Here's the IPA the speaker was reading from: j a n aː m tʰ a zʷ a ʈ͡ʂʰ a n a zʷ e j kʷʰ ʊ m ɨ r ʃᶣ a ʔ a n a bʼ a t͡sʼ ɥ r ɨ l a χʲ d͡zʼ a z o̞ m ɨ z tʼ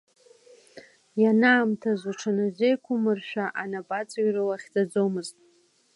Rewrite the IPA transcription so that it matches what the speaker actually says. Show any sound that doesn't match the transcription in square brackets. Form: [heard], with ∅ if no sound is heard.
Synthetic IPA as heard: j a n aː m tʰ a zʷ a ʈ͡ʂʰ a n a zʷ e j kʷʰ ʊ m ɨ r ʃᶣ a ʔ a n a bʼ a t͡sʼ ɥ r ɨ l a χʲ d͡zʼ a [d͡z] o̞ m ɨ z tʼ